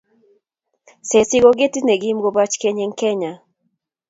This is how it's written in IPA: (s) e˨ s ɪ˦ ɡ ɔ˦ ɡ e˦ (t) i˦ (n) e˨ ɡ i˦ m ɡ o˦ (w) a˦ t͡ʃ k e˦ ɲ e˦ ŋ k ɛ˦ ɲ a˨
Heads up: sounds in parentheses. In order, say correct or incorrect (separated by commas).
correct, correct, correct, incorrect